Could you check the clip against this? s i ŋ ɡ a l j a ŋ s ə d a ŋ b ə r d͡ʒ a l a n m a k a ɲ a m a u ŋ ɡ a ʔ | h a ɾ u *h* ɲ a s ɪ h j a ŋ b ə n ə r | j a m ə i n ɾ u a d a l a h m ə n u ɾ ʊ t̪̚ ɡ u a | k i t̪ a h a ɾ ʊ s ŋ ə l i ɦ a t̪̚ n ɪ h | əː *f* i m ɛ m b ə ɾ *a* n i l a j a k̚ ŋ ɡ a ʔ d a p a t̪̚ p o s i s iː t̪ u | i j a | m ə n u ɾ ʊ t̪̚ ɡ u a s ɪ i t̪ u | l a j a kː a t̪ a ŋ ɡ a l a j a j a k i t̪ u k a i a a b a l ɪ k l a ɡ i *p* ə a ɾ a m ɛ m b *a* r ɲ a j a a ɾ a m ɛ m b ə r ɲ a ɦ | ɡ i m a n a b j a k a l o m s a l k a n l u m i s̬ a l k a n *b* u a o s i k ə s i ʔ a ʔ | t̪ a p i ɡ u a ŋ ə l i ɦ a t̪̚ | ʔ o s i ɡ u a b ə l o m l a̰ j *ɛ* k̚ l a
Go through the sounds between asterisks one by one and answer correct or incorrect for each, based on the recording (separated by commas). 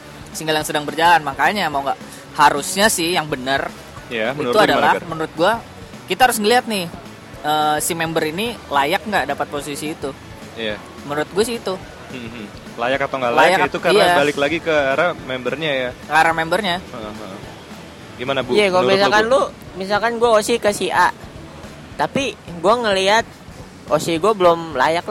incorrect, incorrect, incorrect, incorrect, incorrect, incorrect, incorrect